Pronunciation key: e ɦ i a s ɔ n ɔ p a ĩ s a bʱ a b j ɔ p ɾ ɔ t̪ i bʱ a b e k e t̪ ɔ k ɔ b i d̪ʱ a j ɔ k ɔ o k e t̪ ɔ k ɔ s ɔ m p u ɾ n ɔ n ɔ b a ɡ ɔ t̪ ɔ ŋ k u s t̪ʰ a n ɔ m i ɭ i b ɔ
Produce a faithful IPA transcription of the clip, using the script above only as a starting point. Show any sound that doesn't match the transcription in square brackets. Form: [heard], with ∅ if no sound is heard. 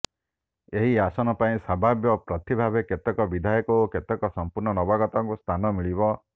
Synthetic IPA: e ɦ i a s ɔ n ɔ p a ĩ s a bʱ a b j ɔ p ɾ ɔ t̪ i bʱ a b e k e t̪ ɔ k ɔ b i d̪ʱ a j ɔ k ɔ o k e t̪ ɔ k ɔ s ɔ m p u ɾ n ɔ n ɔ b a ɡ ɔ t̪ ɔ ŋ k u s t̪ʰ a n ɔ m i ɭ i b ɔ